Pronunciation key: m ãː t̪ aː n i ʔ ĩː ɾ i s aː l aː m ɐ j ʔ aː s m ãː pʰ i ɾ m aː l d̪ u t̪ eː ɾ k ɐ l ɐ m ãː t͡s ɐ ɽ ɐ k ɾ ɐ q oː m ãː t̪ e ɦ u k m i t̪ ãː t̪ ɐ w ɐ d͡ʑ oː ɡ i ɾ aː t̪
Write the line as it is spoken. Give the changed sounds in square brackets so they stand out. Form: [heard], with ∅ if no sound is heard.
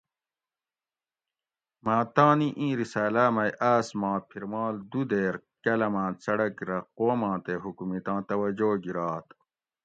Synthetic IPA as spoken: m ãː t̪ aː n i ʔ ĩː ɾ i s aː l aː m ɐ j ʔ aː s m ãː pʰ i ɾ m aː l d̪ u [d̪] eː ɾ k ɐ l ɐ m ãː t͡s ɐ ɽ ɐ k ɾ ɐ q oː m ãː t̪ e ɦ u k m i t̪ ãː t̪ ɐ w ɐ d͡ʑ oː ɡ i ɾ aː t̪